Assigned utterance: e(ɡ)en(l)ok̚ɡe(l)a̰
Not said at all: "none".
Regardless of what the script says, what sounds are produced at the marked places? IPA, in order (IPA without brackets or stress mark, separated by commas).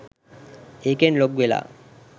k, l, l